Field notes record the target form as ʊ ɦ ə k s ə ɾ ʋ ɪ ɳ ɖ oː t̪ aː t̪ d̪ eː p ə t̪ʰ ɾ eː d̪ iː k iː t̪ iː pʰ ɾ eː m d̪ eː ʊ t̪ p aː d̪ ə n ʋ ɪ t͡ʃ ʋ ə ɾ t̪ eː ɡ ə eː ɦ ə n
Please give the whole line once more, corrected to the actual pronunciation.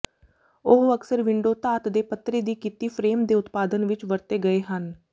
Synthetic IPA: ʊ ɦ ə k s ə ɾ ʋ ɪ ɳ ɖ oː t̪ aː t̪ d̪ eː p ə t̪ ɾ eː d̪ iː k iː t̪ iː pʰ ɾ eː m d̪ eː ʊ t̪ p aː d̪ ə n ʋ ɪ t͡ʃ ʋ ə ɾ t̪ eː ɡ ə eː ɦ ə n

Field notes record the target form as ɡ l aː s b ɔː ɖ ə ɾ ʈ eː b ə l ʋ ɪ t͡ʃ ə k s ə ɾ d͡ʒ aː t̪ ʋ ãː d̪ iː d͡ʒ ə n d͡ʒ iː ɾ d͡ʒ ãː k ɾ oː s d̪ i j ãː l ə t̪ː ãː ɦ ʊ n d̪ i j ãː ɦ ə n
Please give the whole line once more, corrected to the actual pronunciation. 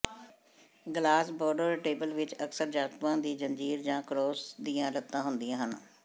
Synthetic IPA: ɡ l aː s b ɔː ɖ ə ɾ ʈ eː b ə l ʋ ɪ t͡ʃ ə k s ə ɾ d͡ʒ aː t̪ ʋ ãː d̪ iː d͡ʒ ə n d͡ʒ iː ɾ d͡ʒ ãː k ɾ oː s d̪ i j ãː l ə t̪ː ãː ɦ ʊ n d̪ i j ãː ɦ ə n

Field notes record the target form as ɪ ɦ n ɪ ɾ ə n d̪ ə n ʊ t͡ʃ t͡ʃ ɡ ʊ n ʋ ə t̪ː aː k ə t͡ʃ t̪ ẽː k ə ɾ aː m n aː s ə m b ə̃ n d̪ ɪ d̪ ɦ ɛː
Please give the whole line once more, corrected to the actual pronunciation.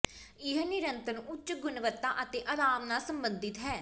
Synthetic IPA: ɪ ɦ n ɪ ɾ ə n t̪ ə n ʊ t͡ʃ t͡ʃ ɡ ʊ n ʋ ə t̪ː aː ʔ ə t̪ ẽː ʔ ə ɾ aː m n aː s ə m b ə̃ n d̪ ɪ t̪ ɦ ɛː

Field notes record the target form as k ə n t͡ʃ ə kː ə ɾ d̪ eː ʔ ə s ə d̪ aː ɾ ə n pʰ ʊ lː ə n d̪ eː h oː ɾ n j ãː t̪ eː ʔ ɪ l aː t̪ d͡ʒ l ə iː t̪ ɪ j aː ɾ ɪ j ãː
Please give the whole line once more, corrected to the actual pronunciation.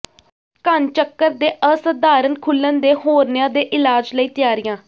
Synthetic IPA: k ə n t͡ʃ ə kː ə ɾ d̪ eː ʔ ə s ə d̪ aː ɾ ə n kʰ ʊ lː ə n d̪ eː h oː ɾ n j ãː d̪ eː ʔ ɪ l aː d͡ʒ l ə iː t̪ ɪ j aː ɾ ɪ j ãː

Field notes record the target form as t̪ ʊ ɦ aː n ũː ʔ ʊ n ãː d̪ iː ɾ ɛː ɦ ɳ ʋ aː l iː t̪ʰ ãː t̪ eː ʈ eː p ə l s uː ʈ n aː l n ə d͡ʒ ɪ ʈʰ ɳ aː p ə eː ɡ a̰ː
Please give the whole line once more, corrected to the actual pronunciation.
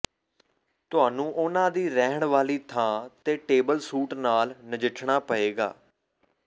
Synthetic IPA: t̪ ʊ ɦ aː n ũː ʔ ʊ n ãː d̪ iː ɾ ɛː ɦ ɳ ʋ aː l iː t̪ʰ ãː t̪ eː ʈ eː b ə l s uː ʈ n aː l n ə d͡ʒ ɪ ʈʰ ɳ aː p ə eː ɡ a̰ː

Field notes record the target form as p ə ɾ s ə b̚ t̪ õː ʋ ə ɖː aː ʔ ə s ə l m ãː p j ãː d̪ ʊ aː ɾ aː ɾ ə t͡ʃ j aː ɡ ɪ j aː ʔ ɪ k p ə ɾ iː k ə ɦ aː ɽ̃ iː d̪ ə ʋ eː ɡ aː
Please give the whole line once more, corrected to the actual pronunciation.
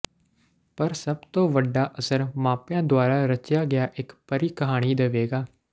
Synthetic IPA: p ə ɾ s ə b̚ t̪ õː ʋ ə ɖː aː ʔ ə s ə ɾ m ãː p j ãː d̪ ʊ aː ɾ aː ɾ ə t͡ʃ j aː ɡ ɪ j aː ʔ ɪ k p ə ɾ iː k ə ɦ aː ɽ̃ iː d̪ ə ʋ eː ɡ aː

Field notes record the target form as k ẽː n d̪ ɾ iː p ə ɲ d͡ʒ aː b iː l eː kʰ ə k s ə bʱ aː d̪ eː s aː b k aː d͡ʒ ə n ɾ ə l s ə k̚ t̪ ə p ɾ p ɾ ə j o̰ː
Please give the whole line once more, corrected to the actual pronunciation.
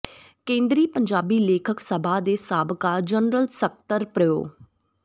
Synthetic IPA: k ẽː n d̪ ɾ iː p ə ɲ d͡ʒ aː b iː l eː kʰ ə k s ə bʱ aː d̪ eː s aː b k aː d͡ʒ ə n ɾ ə l s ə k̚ t̪ ə ɾ p ɾ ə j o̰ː

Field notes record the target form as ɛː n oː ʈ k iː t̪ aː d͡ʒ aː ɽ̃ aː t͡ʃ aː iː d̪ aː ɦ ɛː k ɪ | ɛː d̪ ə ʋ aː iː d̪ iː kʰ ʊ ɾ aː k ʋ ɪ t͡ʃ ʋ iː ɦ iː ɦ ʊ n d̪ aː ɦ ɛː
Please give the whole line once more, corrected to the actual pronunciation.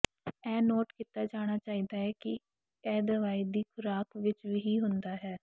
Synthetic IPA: ɛː n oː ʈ k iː t̪ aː d͡ʒ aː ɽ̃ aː t͡ʃ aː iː d̪ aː ɦ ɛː k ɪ | ɛː d̪ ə ʋ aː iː d̪ iː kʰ ʊ ɾ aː k ʋ ɪ t͡ʃ ʋ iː ɦ iː ɦ ʊ n d̪ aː ɦ ɛː

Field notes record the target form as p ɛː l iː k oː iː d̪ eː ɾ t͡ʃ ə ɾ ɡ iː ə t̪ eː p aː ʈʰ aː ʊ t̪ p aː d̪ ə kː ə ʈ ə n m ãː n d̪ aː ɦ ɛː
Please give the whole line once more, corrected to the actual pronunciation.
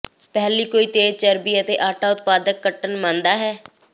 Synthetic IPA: p ɛː l iː k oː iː t̪ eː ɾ t͡ʃ ə ɾ b iː ə t̪ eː ʔ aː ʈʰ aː ʊ t̪ p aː d̪ ə kː ə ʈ ə n m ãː n d̪ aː ɦ ɛː

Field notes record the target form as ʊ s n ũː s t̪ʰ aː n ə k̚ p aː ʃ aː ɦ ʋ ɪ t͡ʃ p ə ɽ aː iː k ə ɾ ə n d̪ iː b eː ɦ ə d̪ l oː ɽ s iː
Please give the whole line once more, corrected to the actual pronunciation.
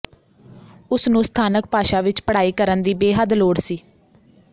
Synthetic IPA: ʊ s n ũː s t̪ʰ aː n ə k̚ p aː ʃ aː ʋ ɪ t͡ʃ p ə ɽ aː iː k ə ɾ ə n d̪ iː b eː ɦ ə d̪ l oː ɽ s iː

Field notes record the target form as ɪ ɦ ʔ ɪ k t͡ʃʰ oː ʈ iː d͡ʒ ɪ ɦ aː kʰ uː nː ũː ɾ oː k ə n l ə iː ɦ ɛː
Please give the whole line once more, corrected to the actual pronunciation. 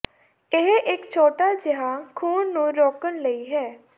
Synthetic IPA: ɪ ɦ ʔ ɪ k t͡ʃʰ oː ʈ aː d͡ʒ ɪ ɦ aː kʰ uː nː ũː ɾ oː k ə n l ə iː ɦ ɛː

